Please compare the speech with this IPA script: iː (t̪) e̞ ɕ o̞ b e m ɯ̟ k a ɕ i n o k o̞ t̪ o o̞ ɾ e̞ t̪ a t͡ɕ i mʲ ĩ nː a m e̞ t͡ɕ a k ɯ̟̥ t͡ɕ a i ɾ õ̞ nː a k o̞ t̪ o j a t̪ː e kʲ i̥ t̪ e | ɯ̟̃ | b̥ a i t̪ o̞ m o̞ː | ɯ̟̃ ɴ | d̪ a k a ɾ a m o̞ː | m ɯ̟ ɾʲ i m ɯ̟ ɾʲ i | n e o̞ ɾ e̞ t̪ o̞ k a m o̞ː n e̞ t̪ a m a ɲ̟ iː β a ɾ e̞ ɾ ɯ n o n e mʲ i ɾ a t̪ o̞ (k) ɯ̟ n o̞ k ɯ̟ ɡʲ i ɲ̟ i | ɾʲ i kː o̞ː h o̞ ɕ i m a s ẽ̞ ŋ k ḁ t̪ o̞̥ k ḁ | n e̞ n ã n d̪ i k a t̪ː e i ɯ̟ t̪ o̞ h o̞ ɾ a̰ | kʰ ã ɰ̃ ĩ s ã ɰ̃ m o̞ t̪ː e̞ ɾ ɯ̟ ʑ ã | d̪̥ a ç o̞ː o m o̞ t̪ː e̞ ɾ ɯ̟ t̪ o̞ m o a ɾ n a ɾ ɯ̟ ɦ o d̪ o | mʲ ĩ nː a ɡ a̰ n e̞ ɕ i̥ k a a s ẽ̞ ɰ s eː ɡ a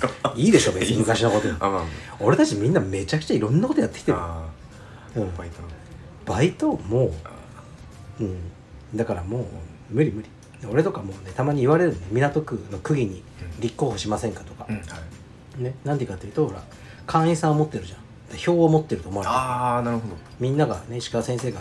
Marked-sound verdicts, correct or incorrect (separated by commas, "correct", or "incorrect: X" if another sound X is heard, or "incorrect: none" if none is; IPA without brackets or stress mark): incorrect: d̪, correct